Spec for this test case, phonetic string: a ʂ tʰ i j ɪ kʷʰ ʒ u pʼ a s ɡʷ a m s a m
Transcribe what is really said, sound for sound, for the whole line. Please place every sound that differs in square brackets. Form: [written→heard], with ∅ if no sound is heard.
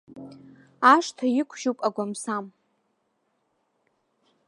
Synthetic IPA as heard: a ʂ tʰ [i→a] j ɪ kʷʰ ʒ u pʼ a [s→∅] ɡʷ a m s a m